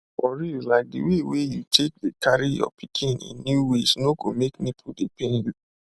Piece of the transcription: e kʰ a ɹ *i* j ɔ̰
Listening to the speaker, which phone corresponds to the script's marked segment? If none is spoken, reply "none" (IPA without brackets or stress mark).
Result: i